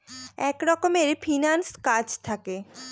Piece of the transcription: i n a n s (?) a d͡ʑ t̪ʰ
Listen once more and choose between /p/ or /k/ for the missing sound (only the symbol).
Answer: k